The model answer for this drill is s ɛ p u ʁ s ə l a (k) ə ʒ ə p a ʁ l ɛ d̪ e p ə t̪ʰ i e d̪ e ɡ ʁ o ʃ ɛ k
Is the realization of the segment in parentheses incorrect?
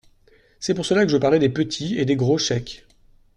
no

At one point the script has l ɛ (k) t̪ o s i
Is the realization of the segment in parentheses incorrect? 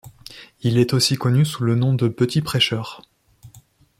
yes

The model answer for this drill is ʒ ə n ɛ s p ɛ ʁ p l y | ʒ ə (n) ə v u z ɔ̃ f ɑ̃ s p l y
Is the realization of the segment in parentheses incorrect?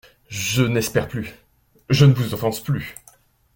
no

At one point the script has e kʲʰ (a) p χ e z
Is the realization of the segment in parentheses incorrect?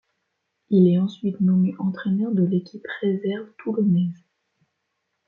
yes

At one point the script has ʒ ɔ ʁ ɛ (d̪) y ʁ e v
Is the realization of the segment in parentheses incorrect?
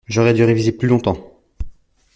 no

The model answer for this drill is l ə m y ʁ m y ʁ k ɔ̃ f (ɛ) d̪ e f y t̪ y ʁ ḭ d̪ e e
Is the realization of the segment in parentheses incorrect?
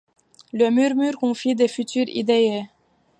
yes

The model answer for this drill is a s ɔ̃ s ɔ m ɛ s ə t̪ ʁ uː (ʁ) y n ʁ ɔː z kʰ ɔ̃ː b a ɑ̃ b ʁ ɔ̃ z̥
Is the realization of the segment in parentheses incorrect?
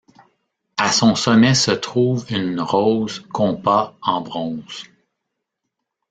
yes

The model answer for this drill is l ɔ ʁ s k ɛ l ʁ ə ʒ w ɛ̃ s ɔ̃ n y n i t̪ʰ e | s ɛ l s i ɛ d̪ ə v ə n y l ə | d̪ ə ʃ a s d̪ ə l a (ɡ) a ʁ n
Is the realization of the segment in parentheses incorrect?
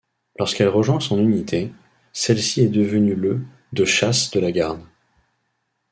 no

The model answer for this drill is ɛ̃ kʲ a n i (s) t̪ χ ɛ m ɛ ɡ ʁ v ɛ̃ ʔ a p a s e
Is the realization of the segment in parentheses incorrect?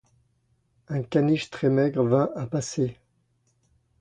yes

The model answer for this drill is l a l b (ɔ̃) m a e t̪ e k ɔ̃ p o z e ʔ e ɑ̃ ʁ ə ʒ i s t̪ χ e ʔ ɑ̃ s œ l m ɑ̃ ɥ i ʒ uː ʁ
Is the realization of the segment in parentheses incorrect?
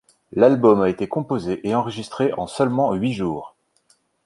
yes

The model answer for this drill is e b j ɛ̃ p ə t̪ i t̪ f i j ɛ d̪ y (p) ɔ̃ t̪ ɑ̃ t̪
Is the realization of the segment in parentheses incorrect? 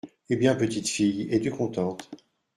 yes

